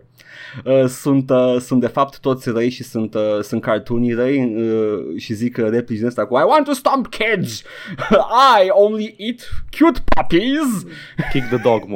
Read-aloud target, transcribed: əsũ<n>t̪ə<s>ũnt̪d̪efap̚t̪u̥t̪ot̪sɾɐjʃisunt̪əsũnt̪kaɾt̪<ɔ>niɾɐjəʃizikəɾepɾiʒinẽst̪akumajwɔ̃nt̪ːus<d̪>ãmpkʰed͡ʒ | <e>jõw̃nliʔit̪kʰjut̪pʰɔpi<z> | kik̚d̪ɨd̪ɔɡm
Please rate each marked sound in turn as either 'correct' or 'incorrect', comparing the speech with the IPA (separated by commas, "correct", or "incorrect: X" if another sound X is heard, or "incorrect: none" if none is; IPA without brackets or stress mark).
correct, correct, incorrect: u, incorrect: t̪, incorrect: a, correct